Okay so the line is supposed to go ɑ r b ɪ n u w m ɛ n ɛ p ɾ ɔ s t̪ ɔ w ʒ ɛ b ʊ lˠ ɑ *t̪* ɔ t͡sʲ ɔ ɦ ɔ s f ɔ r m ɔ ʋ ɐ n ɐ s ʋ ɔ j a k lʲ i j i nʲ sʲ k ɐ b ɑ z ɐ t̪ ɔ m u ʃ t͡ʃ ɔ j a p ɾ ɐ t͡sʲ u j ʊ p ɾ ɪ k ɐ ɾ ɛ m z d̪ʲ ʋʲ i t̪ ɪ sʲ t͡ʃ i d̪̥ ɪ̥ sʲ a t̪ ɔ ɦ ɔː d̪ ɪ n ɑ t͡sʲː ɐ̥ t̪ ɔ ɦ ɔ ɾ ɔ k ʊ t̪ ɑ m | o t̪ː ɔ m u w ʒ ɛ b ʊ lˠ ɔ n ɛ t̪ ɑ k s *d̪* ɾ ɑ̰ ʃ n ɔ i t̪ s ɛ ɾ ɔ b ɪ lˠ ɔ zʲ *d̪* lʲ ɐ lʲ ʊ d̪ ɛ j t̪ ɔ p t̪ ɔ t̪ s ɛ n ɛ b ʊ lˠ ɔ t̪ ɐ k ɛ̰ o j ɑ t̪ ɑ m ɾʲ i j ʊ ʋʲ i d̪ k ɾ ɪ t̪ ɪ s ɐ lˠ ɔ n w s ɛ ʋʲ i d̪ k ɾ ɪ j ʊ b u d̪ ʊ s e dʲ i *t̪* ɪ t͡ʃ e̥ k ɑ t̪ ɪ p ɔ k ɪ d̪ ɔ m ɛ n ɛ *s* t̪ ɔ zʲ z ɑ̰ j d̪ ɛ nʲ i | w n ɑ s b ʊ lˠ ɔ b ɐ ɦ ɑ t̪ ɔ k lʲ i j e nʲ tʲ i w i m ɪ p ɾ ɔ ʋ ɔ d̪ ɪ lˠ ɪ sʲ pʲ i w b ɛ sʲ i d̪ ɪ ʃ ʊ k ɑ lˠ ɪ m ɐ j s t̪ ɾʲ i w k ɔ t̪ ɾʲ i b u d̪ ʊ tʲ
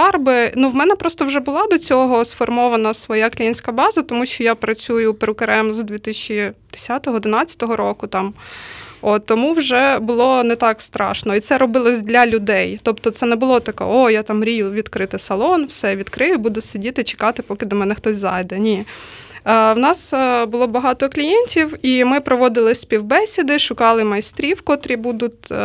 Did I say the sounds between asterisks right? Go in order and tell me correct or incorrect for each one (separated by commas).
incorrect, incorrect, correct, correct, incorrect